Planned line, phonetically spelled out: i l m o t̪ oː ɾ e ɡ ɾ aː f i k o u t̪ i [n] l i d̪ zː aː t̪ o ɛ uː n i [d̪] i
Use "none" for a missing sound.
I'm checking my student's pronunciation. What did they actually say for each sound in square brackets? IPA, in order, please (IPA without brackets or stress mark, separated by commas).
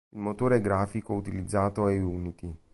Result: none, t̪